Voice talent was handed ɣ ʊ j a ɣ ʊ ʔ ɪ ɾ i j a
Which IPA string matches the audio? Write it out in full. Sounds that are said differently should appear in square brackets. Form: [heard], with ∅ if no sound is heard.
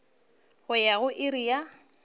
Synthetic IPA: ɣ ʊ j a ɣ ʊ ʔ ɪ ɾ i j a